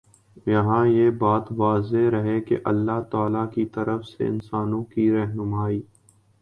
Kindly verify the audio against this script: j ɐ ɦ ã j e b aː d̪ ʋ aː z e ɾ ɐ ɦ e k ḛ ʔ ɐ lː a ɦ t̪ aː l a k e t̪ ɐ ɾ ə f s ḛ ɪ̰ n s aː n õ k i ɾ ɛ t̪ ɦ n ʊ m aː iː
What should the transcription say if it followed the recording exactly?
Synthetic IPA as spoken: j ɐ ɦ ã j e b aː t̪ ʋ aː z e ɾ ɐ ɦ e k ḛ ʔ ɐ lː a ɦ t̪ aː l a k i t̪ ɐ ɾ ə f s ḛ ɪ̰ n s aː n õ k i ɾ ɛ ɦ n ʊ m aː iː